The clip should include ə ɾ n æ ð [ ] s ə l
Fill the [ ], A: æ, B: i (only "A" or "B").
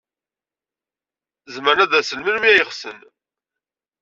A